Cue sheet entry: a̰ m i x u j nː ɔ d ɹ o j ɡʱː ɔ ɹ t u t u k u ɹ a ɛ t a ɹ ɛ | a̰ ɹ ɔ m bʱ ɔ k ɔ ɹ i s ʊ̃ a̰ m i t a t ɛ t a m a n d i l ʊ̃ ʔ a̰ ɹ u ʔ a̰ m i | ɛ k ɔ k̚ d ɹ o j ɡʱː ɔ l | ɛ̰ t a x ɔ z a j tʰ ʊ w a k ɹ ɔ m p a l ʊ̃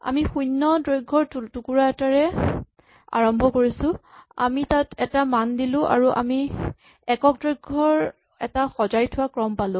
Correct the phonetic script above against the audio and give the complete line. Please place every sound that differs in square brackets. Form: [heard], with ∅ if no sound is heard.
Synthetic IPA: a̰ m i x u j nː ɔ d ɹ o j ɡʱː ɔ ɹ t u t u k u ɹ a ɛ t a ɹ ɛ | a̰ ɹ ɔ m bʱ ɔ k [o] ɹ i s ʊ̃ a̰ m i t a t ɛ t a m a n d i l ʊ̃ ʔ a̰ ɹ u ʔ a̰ m i | ɛ k ɔ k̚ d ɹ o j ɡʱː ɔ [ɹ] | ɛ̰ t a x ɔ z a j tʰ ʊ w a k ɹ ɔ m p a l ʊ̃